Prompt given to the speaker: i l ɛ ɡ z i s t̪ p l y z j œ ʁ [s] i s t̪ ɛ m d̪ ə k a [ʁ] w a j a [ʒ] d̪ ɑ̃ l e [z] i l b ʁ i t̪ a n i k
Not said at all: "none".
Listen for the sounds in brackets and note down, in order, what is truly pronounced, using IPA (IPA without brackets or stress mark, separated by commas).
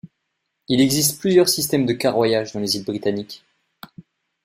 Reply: s, ʁ, ʒ, z